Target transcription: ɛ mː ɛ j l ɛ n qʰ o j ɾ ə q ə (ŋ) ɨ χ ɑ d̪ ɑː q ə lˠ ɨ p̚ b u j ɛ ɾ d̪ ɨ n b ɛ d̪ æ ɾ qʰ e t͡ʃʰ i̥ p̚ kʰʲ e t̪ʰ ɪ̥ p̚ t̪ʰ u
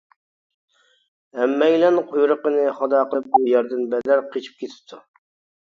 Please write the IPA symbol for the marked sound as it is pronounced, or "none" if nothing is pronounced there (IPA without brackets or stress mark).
n